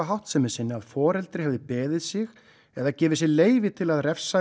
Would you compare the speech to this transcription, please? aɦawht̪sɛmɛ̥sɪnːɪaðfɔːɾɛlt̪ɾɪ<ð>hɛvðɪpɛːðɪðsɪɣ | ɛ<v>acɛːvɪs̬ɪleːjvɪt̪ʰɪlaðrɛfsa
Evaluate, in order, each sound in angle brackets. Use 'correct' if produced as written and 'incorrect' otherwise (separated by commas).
incorrect, incorrect